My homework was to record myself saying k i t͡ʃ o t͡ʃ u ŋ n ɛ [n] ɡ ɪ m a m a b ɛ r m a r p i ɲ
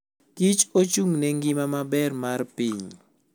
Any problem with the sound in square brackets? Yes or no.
yes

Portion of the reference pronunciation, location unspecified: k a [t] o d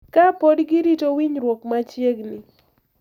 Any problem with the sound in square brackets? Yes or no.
yes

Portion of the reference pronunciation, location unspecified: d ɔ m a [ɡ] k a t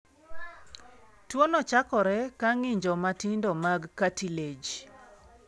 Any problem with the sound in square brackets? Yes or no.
no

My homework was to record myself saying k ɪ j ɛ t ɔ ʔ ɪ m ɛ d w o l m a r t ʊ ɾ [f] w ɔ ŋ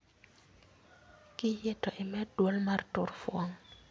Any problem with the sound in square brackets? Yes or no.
no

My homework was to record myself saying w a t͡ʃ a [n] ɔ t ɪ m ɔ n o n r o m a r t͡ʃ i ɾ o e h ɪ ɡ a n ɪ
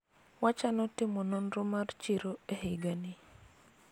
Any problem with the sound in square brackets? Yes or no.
no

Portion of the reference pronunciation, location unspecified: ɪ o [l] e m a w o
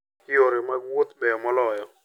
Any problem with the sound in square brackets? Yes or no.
yes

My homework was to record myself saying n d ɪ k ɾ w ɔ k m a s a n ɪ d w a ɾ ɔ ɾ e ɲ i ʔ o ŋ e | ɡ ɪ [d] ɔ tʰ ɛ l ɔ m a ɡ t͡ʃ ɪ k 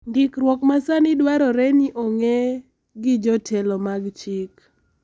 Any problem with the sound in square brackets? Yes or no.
yes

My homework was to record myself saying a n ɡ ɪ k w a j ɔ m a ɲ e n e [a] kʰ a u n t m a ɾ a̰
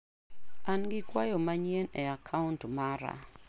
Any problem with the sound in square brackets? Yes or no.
no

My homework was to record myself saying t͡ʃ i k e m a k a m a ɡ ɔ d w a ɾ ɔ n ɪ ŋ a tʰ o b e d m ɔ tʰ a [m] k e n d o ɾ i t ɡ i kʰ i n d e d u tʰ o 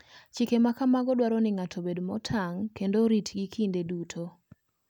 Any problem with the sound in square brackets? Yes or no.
yes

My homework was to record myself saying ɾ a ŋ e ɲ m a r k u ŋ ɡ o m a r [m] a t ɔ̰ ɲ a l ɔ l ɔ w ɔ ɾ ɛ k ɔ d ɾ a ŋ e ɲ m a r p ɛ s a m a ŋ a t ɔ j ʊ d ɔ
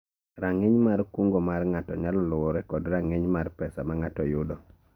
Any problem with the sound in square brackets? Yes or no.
yes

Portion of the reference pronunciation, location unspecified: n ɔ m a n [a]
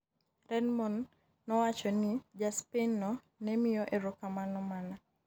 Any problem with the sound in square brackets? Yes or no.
no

